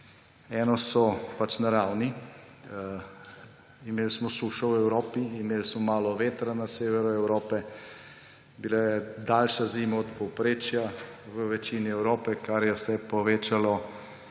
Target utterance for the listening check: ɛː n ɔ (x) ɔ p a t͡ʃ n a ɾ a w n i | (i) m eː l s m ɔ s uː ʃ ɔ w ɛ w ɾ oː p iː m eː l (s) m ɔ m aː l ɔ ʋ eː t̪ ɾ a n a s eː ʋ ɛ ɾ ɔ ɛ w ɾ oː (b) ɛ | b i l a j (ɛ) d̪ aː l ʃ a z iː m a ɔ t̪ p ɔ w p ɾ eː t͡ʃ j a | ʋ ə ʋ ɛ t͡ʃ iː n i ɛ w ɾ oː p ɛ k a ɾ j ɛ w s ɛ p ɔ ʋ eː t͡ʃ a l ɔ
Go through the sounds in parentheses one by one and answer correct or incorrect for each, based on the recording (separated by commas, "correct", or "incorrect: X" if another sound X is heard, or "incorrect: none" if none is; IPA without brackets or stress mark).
incorrect: s, correct, correct, incorrect: p, correct